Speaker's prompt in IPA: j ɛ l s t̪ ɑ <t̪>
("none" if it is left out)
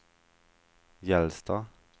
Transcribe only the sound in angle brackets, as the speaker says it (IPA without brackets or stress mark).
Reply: none